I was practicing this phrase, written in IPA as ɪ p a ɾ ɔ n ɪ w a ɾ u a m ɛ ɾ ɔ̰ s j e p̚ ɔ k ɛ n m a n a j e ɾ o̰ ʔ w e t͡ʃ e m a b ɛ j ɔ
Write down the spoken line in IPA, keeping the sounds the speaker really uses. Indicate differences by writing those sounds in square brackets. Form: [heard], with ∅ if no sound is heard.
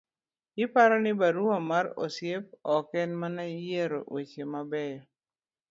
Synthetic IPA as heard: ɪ p a ɾ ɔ n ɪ [b] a ɾ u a m [a] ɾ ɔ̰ s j e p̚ ɔ k ɛ n m a n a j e ɾ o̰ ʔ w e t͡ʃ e m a b ɛ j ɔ